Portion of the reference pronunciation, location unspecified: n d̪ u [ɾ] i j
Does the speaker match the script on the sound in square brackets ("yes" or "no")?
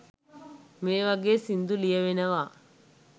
no